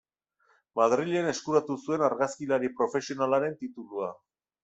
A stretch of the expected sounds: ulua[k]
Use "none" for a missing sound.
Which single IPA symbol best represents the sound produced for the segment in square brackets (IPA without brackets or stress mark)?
none